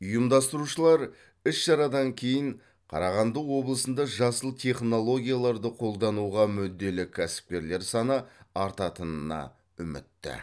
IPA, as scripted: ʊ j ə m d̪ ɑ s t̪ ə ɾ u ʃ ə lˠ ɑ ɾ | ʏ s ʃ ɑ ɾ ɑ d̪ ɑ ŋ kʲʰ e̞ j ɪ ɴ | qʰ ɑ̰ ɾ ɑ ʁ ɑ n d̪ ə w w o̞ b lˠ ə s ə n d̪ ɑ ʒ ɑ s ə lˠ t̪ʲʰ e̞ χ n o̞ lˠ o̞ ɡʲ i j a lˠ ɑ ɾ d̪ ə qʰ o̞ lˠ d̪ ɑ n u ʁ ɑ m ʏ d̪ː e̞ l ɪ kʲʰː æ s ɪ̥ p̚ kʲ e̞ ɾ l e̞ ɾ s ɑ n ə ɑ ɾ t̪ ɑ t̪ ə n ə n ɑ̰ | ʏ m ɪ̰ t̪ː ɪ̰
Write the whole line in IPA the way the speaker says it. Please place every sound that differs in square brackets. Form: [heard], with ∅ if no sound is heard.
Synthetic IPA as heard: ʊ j ə m d̪ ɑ s t̪ ə ɾ u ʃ ə lˠ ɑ ɾ | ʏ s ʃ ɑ ɾ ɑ d̪ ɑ ŋ kʲʰ e̞ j ɪ ɴ | qʰ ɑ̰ ɾ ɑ ʁ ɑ n d̪ ə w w o̞ b lˠ ə s ə n d̪ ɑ ʒ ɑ s ə lˠ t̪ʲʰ e̞ χ n o̞ lˠ o̞ ɡʲ i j a lˠ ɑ ɾ d̪ ə qʰ o̞ lˠ d̪ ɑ n u ʁ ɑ m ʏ d̪ː e̞ l ɪ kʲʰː æ s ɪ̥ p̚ kʲ e̞ ɾ l e̞ ɾ s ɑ n ə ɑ ɾ t̪ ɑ t̪ ə n ə n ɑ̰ | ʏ m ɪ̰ t̪ː ɪ̰